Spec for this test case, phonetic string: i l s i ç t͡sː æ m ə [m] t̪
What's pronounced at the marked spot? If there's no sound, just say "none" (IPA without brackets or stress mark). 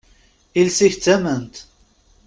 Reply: n